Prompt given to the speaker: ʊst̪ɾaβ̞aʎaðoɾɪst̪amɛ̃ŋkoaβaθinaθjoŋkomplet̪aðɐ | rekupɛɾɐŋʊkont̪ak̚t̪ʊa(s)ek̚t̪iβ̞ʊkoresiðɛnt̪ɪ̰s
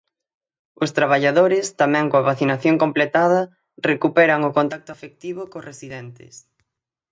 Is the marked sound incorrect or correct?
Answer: incorrect